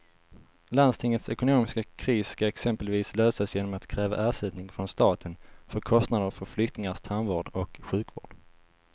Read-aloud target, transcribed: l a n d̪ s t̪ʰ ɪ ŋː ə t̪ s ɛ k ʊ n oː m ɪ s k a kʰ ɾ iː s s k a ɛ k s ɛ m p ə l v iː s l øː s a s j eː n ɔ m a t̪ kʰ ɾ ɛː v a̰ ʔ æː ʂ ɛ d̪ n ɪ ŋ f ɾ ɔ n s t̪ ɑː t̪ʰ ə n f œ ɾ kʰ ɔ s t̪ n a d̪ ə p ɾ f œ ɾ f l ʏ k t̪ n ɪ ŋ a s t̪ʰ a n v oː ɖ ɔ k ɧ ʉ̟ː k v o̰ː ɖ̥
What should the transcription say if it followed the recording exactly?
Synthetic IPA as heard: l a n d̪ s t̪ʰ ɪ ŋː ə t̪ s ɛ k ʊ n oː m ɪ s k a kʰ ɾ iː s s k a ɛ k s ɛ m p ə l v iː s l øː s a s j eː n ɔ m a t̪ kʰ ɾ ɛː v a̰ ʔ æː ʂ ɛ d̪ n ɪ ŋ f ɾ ɔ n s t̪ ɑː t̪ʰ ə n f œ ɾ kʰ ɔ s t̪ n a d̪ ə ɾ f œ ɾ f l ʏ k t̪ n ɪ ŋ a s t̪ʰ a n v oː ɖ ɔ k ɧ ʉ̟ː k v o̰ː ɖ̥

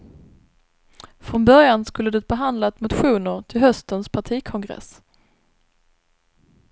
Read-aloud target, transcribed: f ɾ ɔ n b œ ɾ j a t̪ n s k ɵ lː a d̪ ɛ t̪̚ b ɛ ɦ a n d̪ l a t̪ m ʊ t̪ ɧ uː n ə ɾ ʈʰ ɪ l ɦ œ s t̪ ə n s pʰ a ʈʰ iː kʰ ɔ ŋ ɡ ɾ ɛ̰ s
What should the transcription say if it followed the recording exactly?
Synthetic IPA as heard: f ɾ ɔ n b œ ɾ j a n s k ɵ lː ə d̪ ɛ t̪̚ b ɛ ɦ a n d̪ l a t̪ m ʊ t̪ ɧ uː n ə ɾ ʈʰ ɪ l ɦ œ s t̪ ə n s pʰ a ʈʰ iː kʰ ɔ ŋ ɡ ɾ ɛ̰ s

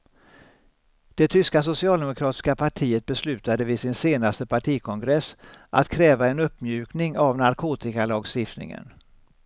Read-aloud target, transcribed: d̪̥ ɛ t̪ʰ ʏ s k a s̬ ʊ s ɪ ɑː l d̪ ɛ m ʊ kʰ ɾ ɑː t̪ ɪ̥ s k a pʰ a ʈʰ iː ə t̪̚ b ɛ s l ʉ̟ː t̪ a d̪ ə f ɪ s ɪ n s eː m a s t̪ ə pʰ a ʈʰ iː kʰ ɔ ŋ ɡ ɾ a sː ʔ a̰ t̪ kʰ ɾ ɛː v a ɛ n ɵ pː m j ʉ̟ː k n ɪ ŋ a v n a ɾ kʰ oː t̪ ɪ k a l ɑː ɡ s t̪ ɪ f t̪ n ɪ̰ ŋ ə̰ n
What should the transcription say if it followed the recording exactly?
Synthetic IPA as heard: d̪̥ ɛ t̪ʰ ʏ s k a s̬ ʊ s ɪ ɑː l d̪ ɛ m ʊ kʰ ɾ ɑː t̪ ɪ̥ s k a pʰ a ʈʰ iː ə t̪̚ b ɛ s l ʉ̟ː t̪ a d̪ ə v ɪ s ɪ n s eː n a s t̪ ə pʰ a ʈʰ iː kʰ ɔ ŋ ɡ ɾ ɛ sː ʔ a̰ t̪ kʰ ɾ ɛː v a ɛ n ɵ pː m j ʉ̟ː k n ɪ ŋ a v n a ɾ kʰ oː t̪ ɪ k a l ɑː ɡ s t̪ ɪ f t̪ n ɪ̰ ŋ ə̰ n

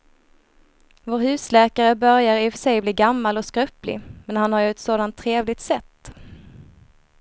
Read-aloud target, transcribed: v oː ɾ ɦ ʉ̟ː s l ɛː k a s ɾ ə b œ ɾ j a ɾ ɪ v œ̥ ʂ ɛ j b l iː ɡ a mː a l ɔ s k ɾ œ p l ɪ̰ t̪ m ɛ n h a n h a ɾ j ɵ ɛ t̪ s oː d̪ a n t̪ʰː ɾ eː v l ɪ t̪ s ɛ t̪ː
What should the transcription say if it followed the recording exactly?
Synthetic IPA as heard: v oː ɾ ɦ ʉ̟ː s l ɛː k a ɾ ə b œ ɾ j a ɾ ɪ f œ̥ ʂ ɛ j b l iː ɡ a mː a l ɔ s k ɾ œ p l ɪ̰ m ɛ n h a n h a ɾ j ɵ ɛ t̪ s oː d̪ a n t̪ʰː ɾ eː v l ɪ t̪ s ɛ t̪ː

